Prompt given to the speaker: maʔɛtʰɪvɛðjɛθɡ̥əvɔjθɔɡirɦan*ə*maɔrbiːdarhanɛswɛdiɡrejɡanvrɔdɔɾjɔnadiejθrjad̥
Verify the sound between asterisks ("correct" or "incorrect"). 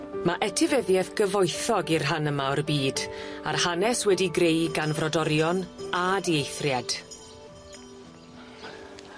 correct